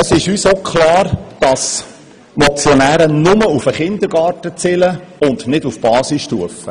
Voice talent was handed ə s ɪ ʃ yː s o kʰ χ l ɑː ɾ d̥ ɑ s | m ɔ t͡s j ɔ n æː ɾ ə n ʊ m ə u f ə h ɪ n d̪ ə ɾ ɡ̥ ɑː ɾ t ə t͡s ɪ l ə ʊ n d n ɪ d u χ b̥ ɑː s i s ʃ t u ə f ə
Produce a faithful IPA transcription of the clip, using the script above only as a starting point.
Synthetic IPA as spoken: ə s ɪ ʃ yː s o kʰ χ l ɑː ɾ d̥ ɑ s | m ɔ t͡s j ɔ n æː ɾ ə n ʊ m ə u f ə χ ɪ n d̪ ə ɾ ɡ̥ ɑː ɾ t ə t͡s ɪ l ə ʊ n d n ɪ d u f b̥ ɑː s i s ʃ t u ə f ə